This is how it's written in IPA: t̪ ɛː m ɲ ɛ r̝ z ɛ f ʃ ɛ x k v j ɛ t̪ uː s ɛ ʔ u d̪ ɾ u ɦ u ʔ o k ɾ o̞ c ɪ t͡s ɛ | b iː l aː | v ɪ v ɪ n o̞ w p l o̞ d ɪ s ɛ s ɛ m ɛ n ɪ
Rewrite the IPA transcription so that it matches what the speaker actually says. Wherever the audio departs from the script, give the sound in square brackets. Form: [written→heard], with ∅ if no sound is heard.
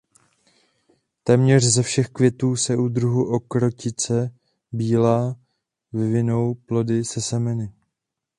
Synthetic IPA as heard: t̪ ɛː m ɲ ɛ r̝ z ɛ f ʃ ɛ x k v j ɛ t̪ uː s ɛ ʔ u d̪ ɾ u ɦ u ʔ o k ɾ o̞ c ɪ t͡s ɛ | b iː l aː | v ɪ v ɪ n o̞ w p l o̞ d ɪ s ɛ s ɛ m ɛ n ɪ